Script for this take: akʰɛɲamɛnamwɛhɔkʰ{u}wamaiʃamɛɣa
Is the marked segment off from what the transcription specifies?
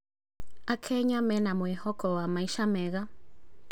yes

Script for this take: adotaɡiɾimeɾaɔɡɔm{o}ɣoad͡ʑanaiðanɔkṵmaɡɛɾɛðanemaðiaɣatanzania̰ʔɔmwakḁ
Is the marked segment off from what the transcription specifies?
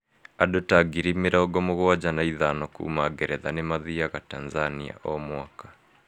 no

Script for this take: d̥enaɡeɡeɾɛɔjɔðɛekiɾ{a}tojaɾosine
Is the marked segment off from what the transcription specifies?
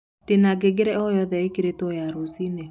yes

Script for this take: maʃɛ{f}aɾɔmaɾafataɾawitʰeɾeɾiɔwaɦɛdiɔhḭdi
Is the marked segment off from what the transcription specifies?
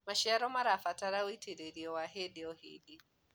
yes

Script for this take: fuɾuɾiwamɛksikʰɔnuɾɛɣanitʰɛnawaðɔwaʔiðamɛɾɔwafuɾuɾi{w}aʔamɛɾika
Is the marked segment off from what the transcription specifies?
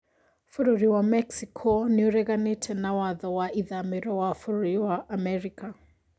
no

